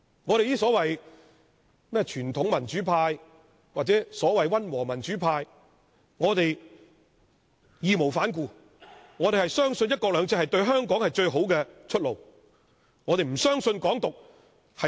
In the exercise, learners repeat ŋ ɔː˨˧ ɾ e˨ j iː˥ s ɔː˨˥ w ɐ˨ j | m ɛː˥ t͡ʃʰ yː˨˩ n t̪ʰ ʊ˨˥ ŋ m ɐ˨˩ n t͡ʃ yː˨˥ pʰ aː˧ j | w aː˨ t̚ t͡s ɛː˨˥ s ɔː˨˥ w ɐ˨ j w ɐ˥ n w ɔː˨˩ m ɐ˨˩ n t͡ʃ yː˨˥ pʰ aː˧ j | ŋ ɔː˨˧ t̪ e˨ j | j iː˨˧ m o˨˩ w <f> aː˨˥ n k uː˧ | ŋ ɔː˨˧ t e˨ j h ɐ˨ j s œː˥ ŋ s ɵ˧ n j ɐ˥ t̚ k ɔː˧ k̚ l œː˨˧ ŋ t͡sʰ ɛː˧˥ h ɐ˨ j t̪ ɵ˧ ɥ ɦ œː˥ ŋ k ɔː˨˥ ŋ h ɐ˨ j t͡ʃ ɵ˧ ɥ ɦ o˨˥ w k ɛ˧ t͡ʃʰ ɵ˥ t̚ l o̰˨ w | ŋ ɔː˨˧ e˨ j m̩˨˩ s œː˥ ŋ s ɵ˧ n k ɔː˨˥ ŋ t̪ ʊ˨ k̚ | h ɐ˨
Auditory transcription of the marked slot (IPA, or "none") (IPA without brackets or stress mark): f